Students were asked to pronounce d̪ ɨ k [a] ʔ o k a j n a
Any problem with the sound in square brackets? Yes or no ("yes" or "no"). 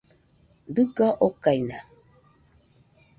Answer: no